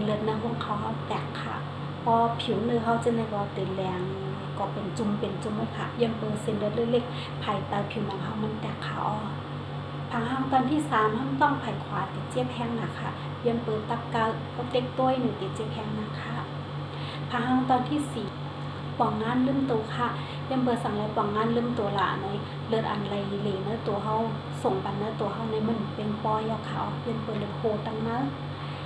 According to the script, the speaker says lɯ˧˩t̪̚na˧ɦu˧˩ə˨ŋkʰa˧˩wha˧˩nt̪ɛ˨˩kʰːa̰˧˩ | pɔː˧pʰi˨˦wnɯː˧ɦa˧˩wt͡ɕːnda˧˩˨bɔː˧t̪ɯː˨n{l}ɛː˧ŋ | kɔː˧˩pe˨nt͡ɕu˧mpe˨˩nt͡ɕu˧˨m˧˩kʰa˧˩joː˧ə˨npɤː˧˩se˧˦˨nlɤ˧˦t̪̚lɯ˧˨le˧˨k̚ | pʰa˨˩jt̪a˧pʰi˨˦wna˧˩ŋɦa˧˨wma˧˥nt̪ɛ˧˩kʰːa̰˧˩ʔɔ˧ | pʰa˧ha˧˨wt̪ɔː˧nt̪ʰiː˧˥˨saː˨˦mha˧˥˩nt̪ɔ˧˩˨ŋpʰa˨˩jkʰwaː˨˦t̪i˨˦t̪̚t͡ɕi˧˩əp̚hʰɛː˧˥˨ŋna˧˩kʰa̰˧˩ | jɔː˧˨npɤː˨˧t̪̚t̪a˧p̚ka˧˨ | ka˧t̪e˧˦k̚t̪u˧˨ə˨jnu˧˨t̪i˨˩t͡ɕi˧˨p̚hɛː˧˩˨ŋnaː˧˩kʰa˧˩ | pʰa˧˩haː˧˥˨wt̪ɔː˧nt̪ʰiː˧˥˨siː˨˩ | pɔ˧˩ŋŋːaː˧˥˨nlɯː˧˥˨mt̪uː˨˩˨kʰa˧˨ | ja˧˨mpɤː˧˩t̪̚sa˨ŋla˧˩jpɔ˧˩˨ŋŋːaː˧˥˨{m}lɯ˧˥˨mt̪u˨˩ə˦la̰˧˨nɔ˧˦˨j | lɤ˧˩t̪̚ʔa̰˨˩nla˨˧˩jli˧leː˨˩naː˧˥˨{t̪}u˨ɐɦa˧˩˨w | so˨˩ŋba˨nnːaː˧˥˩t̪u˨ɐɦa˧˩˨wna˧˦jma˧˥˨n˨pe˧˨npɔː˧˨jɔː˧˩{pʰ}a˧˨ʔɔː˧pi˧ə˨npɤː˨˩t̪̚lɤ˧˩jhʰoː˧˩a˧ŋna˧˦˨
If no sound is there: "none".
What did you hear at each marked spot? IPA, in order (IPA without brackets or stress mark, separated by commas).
l, n, t̪, kʰ